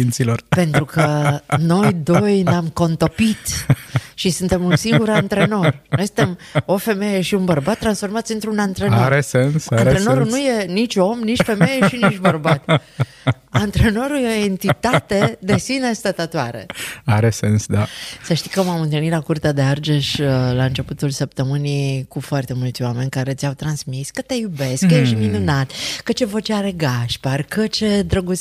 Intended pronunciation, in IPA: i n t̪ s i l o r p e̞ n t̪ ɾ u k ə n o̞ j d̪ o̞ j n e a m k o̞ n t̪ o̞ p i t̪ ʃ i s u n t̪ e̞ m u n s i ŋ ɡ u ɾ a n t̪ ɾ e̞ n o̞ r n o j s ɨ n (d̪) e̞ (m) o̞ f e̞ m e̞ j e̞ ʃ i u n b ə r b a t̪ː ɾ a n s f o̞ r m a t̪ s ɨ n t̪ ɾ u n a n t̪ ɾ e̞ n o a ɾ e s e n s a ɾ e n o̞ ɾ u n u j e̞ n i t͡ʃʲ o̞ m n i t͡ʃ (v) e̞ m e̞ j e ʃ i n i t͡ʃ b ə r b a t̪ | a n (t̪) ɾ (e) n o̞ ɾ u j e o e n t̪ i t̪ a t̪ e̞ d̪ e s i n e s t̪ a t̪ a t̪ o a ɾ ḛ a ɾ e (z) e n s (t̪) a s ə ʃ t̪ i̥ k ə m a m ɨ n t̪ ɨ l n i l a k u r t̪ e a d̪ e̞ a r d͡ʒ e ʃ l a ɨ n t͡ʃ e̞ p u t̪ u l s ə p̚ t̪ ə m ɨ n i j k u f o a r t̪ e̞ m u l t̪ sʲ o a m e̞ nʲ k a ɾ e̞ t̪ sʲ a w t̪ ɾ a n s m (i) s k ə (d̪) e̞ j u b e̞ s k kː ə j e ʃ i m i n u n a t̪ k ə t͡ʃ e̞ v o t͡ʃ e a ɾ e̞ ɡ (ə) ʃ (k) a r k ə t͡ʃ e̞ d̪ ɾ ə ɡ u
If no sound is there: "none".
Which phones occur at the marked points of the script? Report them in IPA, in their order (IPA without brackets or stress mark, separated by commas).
t̪, m, f, t̪, e, s, d̪, i, t̪, a, p